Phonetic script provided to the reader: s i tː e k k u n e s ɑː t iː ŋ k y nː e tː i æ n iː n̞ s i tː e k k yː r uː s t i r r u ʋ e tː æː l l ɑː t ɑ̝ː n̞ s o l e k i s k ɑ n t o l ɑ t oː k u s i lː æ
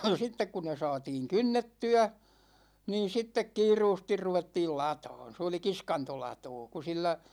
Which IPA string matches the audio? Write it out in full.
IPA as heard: s i tː e k k u n e s ɑː t iː ŋ k y nː e tː y æ n iː n̞ s i tː e k k iː r uː s t i r r u ʋ e tː iː l l ɑ t ɑ̝ː n̞ s o l i k i s k ɑ n t o l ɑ t oː k u s i lː æ